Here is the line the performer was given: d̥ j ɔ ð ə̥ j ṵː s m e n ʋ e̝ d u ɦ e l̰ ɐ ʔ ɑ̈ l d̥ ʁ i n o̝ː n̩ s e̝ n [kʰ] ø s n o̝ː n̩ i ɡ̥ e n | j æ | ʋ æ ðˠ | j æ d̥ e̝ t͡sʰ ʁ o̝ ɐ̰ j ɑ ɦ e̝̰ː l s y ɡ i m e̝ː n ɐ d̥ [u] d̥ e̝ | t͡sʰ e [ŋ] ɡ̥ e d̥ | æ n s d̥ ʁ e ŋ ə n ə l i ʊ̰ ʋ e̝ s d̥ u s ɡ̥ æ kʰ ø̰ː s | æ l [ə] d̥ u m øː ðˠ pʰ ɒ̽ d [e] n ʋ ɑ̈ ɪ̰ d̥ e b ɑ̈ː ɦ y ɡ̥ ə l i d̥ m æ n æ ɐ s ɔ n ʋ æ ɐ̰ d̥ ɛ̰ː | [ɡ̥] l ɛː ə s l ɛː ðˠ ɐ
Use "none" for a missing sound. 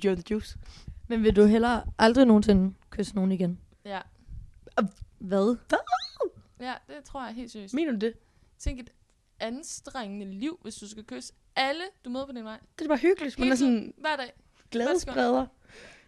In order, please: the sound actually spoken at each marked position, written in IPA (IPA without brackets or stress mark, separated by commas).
kʰ, u, ŋ, ə, i, ɡ̥